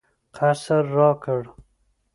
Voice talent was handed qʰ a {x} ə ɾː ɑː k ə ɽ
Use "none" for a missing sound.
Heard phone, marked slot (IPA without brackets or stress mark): s